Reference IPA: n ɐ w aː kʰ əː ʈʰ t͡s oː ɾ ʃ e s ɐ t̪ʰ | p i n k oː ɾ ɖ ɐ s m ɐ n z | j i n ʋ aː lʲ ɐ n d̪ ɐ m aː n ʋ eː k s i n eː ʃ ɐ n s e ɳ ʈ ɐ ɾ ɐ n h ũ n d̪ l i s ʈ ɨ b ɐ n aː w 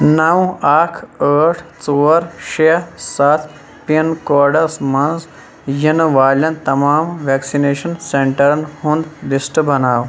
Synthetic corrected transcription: n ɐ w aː kʰ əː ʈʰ t͡s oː ɾ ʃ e s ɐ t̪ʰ | p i n k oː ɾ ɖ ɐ s m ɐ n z | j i n ʋ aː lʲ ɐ n t̪ ɐ m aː m ʋ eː k s i n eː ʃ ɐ n s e ɳ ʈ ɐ ɾ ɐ n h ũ n d̪ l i s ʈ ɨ b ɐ n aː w